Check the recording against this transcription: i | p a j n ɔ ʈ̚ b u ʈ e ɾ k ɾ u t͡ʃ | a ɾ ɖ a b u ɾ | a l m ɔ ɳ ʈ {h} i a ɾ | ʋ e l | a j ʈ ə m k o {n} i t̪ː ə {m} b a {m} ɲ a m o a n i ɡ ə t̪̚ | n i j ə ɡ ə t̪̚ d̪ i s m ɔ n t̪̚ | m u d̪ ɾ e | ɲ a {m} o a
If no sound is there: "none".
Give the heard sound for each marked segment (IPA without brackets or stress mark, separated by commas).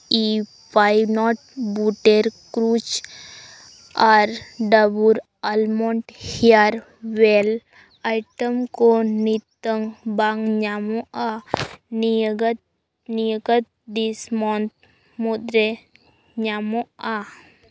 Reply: h, n, ŋ, ŋ, m